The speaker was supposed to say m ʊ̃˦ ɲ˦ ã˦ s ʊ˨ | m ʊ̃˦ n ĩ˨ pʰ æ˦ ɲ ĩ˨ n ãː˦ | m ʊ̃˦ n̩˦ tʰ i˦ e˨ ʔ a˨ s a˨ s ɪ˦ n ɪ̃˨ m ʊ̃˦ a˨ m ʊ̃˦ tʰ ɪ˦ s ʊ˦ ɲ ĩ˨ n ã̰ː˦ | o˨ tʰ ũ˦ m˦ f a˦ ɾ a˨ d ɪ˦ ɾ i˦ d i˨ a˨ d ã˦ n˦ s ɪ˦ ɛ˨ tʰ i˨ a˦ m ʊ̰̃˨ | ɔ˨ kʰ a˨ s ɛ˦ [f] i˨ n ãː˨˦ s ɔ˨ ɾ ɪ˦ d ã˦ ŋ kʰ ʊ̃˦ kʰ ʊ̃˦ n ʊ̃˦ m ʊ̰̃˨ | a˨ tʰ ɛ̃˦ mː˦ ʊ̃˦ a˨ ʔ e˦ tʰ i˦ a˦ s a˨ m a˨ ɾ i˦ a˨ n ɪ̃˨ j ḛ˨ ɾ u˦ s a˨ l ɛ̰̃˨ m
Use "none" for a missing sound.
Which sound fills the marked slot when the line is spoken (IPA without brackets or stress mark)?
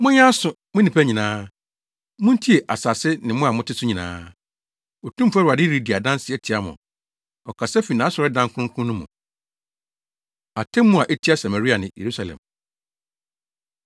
f